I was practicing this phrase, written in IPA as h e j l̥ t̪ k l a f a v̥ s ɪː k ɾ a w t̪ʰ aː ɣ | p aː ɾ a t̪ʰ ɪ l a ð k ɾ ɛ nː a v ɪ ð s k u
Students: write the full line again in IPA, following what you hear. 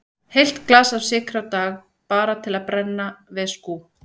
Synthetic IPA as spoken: h e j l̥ t̪ k l a s a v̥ s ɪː k ɾ a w t̪ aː ɣ | p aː ɾ a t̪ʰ ɪ l a ð p ɾ ɛ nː a v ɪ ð s k u